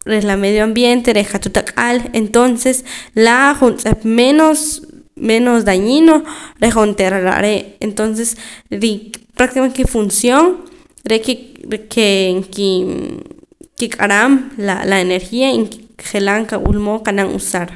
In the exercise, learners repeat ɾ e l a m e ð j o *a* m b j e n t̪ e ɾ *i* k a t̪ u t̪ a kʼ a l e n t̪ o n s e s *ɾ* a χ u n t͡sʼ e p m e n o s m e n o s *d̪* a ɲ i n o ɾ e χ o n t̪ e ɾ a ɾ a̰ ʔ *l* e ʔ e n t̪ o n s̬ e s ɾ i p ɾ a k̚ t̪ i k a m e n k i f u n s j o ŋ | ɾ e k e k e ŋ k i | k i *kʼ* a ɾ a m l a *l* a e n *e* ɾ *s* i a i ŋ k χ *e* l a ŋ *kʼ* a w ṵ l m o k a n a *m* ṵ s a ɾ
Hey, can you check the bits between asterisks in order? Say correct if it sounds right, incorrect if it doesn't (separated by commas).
correct, incorrect, incorrect, correct, incorrect, correct, correct, correct, incorrect, correct, incorrect, incorrect